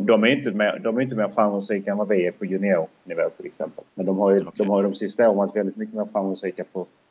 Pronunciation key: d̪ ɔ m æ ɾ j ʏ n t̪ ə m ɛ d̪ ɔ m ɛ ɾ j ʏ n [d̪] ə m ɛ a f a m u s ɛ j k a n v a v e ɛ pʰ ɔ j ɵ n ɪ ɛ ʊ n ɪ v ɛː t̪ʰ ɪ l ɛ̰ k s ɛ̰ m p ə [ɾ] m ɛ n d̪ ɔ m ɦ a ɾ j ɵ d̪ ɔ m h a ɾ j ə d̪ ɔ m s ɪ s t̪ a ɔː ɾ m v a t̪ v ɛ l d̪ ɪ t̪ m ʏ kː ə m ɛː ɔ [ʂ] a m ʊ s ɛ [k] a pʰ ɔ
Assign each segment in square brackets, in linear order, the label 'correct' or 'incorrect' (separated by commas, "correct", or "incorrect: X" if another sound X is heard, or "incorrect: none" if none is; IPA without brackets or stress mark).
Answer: incorrect: t̪, incorrect: l, incorrect: f, correct